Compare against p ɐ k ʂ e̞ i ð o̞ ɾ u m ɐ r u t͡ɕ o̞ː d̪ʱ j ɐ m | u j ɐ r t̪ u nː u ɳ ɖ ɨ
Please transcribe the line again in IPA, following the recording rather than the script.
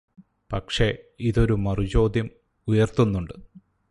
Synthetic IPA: p ɐ k ʂ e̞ i ð o̞ ɾ u m ɐ r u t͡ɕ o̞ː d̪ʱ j ɐ m | u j ɐ r t̪ u nː u ɳ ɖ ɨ